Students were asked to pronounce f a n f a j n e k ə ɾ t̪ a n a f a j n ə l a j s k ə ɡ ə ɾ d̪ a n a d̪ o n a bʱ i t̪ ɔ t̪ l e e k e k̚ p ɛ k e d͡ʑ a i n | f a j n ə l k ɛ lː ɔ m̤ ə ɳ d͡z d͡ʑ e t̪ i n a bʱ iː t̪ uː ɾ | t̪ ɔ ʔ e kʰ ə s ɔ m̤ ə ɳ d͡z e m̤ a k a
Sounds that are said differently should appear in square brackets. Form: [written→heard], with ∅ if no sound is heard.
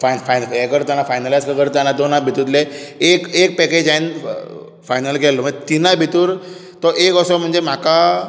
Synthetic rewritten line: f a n f a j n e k ə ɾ t̪ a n a f a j n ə l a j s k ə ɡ ə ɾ [d̪→t̪] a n a d̪ o n a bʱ i t̪ [ɔ→u] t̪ l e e k e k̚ p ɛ k e d͡ʑ a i n | f a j n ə l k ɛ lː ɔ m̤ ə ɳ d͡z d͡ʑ e t̪ i n a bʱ [iː→i] t̪ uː ɾ | t̪ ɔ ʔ e [kʰ→k] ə s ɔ m̤ ə ɳ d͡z e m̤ a k a